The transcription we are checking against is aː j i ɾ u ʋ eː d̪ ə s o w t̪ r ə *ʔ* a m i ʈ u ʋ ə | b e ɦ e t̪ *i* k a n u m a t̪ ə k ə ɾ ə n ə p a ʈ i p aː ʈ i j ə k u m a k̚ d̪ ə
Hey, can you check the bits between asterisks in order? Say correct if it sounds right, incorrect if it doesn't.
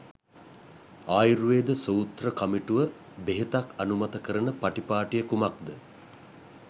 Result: incorrect: k, incorrect: a

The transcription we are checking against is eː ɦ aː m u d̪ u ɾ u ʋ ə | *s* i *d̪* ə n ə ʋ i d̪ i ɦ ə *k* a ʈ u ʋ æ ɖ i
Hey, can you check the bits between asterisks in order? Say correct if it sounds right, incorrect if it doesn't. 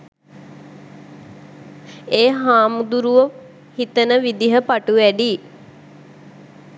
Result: incorrect: h, incorrect: t̪, incorrect: p

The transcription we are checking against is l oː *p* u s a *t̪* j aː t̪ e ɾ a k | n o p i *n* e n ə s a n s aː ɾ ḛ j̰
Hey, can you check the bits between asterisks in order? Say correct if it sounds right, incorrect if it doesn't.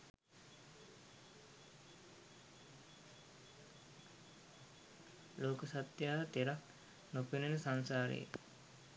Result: incorrect: k, correct, correct

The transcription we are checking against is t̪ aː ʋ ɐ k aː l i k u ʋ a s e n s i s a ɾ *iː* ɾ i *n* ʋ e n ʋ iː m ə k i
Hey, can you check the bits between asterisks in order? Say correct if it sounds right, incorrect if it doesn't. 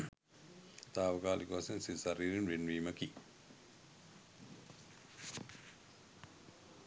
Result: correct, correct

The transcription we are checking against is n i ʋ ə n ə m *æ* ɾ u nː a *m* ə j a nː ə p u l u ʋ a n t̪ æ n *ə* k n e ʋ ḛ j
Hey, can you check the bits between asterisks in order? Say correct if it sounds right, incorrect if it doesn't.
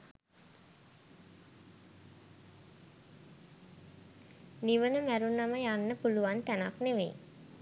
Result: correct, correct, incorrect: a

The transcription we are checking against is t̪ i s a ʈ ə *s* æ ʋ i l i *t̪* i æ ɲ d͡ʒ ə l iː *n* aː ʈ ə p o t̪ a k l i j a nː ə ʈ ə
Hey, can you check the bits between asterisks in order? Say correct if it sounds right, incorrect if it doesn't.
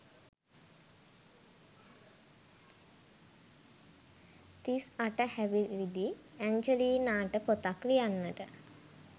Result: incorrect: h, incorrect: d̪, correct

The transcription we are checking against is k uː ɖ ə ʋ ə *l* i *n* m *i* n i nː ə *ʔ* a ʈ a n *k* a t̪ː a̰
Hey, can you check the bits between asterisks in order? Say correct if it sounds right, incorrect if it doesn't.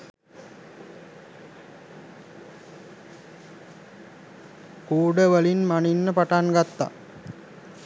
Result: correct, correct, incorrect: a, incorrect: p, incorrect: ɡ

